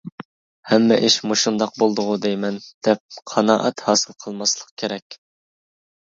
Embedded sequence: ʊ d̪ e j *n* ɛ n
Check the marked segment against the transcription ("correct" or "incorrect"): incorrect